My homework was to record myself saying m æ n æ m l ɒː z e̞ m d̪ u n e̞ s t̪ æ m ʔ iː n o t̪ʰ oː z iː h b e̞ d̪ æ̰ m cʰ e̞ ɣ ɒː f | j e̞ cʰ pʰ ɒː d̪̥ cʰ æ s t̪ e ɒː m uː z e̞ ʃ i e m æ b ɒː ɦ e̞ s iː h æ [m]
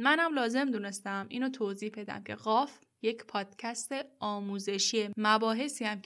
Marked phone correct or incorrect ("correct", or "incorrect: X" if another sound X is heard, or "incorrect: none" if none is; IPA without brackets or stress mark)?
correct